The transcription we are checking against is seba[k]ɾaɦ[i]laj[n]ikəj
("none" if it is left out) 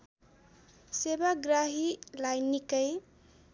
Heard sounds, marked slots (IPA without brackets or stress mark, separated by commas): ɡ, i, n